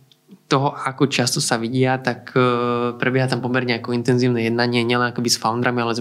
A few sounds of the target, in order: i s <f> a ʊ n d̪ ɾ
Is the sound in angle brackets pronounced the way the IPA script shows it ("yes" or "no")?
yes